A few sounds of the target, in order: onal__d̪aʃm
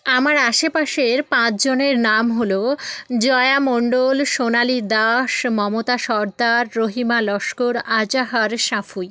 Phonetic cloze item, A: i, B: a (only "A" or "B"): A